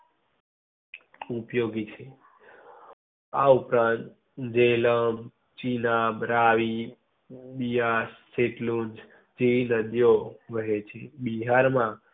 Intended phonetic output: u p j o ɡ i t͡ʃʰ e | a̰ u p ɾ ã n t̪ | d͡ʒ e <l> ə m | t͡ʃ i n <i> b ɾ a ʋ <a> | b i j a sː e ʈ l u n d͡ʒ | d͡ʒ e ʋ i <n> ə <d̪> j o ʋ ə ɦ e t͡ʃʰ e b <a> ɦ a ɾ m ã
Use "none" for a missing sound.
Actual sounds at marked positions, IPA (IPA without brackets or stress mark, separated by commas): l, a, i, n, d̪, i